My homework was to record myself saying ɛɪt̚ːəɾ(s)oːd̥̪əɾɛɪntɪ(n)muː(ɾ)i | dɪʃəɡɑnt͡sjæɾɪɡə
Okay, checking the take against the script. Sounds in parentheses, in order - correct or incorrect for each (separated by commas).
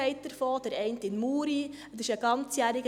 incorrect, correct, correct